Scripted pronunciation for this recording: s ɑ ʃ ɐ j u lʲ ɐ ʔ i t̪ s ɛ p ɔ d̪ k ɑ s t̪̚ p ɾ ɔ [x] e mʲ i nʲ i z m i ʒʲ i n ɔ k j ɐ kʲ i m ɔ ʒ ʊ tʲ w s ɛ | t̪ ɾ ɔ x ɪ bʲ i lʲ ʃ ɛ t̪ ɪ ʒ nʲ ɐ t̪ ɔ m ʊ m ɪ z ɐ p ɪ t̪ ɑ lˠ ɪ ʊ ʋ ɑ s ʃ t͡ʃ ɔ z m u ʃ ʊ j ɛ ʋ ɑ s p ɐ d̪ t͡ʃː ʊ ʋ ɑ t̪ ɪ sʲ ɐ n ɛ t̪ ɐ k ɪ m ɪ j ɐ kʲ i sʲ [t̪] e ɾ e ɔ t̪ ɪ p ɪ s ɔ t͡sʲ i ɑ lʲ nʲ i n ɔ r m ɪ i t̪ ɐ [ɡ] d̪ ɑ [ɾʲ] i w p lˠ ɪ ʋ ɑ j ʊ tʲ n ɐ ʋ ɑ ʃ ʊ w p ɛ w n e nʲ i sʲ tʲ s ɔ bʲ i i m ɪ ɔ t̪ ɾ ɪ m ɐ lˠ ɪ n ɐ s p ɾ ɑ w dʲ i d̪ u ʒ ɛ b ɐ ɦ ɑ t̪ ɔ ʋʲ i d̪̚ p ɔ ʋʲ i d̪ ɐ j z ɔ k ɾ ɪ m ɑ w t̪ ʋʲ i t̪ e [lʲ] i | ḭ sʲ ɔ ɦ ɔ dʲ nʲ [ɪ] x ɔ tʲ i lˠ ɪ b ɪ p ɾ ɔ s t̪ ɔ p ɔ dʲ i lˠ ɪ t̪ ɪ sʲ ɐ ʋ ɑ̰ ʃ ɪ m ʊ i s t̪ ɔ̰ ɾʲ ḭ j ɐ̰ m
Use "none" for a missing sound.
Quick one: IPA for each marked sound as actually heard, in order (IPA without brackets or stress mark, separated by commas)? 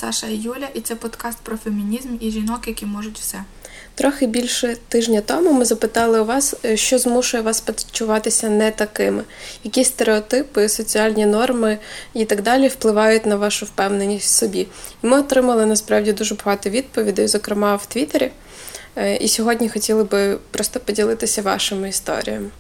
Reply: f, t̪, ɡ, lʲ, ɾʲ, i